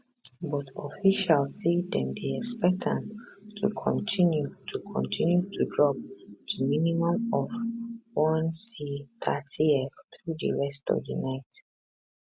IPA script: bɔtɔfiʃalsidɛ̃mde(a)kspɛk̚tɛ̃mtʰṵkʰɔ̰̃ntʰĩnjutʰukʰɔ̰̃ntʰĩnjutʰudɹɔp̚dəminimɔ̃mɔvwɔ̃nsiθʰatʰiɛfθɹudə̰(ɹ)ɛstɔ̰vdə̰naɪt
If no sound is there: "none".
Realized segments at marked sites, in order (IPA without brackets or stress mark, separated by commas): ɛ, ɹ